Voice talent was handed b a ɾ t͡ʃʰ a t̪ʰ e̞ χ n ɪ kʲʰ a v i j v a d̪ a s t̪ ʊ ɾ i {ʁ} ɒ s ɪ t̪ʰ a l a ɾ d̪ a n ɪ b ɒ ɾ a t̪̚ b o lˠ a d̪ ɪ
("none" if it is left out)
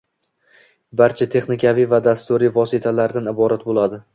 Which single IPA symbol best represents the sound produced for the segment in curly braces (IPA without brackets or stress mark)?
v